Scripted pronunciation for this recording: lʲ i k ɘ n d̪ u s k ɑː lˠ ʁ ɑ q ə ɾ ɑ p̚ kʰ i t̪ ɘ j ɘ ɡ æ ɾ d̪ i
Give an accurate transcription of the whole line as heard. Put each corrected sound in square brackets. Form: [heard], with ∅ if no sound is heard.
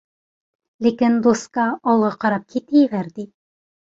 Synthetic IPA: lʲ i k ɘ n d̪ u s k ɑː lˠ ʁ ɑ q [ɑ] ɾ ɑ p̚ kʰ i t̪ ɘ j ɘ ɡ æ ɾ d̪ i